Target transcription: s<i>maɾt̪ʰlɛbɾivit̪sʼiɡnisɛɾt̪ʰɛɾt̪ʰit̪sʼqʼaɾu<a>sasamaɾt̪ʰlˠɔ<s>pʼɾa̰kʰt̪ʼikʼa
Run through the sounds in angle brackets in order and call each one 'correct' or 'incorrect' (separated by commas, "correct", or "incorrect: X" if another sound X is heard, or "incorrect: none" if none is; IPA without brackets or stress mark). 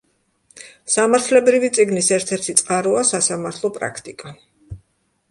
incorrect: a, correct, incorrect: none